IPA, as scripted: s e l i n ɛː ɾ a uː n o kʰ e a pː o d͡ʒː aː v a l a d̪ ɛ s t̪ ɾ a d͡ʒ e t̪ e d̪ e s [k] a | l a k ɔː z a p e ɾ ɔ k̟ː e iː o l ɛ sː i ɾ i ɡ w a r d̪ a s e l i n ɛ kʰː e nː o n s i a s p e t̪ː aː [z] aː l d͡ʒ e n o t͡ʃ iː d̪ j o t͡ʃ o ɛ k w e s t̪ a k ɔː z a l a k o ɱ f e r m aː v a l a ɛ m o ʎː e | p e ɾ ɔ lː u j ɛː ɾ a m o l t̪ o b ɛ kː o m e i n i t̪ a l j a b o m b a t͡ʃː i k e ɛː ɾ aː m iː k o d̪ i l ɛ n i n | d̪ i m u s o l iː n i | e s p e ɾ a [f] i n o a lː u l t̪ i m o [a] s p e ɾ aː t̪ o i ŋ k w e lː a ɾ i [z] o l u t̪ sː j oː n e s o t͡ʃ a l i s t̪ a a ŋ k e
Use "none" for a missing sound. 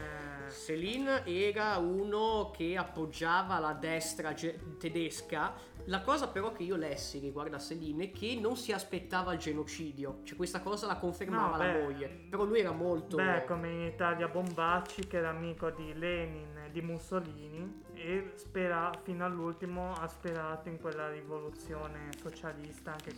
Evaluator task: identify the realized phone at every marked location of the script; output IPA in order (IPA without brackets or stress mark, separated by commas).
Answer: k, v, f, a, v